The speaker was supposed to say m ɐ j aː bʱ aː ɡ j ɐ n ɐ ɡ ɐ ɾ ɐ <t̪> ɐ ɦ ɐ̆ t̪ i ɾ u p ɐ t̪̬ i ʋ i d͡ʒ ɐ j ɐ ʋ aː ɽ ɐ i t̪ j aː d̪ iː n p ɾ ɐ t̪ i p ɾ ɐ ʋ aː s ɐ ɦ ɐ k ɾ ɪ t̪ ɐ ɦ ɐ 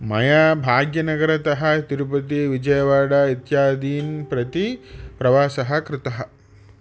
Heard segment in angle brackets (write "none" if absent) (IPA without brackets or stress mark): t̪